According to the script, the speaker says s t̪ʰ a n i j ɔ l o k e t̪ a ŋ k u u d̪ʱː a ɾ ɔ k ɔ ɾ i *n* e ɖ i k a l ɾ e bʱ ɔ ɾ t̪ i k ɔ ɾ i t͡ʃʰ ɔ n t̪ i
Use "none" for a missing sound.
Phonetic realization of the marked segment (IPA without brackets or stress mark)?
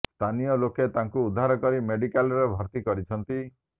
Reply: m